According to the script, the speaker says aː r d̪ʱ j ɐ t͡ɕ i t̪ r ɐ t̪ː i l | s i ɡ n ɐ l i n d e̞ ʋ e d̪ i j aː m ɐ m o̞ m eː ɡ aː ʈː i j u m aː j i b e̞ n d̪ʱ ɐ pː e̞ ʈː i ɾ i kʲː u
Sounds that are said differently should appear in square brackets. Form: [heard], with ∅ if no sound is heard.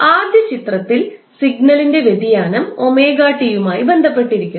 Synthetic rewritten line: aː r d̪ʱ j ɐ t͡ɕ i t̪ r ɐ t̪ː i l | s i ɡ n ɐ l i n d e̞ ʋ e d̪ i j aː [n] ɐ m o̞ m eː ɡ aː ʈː i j u m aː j i b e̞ n d̪ʱ ɐ pː e̞ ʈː i ɾ i kʲː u